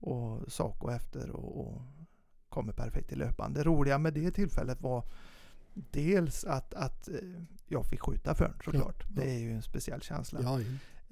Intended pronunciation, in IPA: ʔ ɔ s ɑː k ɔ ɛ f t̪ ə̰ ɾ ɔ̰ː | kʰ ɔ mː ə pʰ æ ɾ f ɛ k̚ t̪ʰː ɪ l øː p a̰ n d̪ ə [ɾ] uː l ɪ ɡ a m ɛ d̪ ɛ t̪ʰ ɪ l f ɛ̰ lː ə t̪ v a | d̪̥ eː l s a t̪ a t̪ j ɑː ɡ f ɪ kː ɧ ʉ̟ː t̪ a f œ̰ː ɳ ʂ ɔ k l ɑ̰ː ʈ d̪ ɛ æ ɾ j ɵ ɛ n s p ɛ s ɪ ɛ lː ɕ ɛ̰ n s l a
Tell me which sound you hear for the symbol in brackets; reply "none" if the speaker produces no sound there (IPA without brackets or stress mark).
ɾ